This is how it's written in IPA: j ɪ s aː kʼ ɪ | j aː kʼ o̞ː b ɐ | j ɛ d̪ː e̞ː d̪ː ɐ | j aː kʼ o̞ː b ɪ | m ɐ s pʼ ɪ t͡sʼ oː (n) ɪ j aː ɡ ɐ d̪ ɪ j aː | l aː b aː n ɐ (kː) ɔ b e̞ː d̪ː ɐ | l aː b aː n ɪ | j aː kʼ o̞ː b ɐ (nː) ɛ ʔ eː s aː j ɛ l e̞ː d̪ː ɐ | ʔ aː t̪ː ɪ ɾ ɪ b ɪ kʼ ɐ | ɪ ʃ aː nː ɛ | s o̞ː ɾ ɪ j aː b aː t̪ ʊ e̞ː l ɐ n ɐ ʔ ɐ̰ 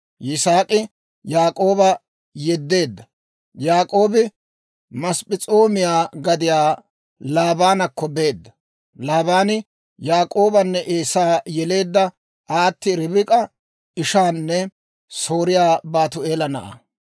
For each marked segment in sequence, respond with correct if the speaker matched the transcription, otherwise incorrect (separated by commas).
incorrect, correct, correct